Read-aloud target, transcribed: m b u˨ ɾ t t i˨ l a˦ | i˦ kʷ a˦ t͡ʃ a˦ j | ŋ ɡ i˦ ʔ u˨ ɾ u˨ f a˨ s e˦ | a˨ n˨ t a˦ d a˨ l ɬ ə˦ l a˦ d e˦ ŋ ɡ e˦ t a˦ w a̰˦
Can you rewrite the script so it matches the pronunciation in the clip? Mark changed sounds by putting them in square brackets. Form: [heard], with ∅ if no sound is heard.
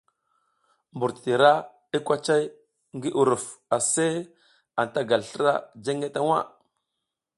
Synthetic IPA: m b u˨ ɾ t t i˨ [ɾ] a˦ | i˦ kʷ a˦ t͡ʃ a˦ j | ŋ ɡ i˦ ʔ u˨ ɾ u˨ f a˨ s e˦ | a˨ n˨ t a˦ [ɡ] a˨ l ɬ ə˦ [ɾ] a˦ [d͡ʒ] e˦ ŋ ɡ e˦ t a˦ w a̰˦